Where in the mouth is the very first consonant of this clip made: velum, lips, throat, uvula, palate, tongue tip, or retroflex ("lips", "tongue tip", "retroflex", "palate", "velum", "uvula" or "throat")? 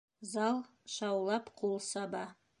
tongue tip